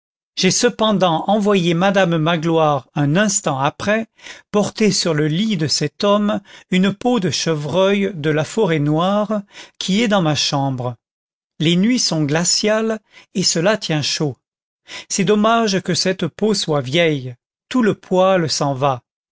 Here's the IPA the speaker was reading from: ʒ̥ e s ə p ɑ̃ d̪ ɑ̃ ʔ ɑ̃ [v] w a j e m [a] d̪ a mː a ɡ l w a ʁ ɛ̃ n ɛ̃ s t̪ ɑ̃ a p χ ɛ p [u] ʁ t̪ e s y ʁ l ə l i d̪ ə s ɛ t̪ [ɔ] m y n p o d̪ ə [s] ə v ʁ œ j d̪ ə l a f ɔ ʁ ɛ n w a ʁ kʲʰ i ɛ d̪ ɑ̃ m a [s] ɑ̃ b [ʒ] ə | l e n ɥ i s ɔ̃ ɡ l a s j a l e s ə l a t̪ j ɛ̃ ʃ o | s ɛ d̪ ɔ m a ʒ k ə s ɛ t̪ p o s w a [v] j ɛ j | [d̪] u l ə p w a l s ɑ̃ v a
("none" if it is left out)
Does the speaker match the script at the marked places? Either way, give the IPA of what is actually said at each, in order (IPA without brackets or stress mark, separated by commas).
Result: v, a, ɔ, ɔ, ʃ, ʃ, ʁ, v, t̪